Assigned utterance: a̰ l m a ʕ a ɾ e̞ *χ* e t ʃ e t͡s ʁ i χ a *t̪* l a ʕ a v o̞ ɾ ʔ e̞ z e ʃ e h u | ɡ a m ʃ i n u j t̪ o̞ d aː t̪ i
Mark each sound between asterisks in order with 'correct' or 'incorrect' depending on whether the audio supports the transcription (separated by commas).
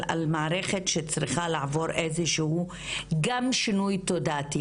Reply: correct, incorrect